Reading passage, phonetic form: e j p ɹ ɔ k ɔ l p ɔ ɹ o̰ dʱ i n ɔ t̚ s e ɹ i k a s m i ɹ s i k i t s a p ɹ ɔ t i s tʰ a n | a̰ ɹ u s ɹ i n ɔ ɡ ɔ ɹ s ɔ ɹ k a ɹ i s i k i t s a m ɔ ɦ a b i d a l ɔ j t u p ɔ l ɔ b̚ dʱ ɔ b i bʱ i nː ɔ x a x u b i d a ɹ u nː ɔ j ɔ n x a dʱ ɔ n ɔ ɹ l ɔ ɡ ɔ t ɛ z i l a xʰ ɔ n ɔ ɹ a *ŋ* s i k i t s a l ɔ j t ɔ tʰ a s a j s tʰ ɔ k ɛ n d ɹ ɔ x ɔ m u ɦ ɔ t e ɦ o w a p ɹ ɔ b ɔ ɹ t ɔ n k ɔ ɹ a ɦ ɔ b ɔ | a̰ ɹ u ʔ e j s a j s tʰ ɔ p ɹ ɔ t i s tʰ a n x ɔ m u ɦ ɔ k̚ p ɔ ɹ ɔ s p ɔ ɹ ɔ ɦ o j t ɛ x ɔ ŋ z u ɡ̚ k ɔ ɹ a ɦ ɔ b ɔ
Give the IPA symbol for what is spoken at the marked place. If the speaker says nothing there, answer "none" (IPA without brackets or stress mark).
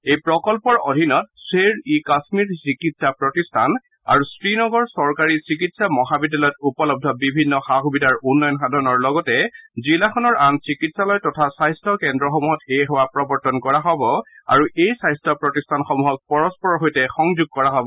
n